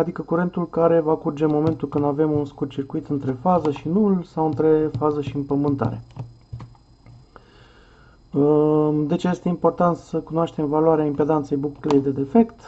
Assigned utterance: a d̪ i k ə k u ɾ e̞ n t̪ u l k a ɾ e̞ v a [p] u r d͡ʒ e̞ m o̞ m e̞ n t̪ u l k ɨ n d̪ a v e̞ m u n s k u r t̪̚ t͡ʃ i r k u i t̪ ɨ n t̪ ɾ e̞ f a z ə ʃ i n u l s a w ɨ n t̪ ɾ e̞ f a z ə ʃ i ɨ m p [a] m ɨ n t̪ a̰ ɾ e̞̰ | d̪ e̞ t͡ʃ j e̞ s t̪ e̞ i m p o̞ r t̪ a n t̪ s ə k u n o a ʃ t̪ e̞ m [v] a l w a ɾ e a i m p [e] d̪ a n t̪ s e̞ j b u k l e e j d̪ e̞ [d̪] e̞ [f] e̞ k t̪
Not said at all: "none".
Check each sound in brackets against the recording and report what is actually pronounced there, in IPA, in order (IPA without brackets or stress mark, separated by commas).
k, ə, v, e, d̪, f